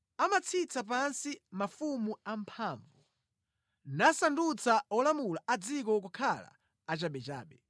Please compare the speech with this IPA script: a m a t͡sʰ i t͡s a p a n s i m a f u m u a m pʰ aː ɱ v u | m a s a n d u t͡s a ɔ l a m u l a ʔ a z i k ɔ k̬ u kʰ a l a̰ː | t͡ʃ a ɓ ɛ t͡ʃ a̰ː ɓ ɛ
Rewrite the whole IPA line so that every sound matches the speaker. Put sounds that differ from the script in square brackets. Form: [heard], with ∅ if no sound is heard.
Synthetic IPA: a m a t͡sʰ i t͡s a p a n s i m a f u m u a m pʰ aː ɱ v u | [n] a s a n d u t͡s a ɔ l a m u l a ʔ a [d͡z] i k ɔ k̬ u kʰ a l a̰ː | t͡ʃ a ɓ ɛ t͡ʃ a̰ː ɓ ɛ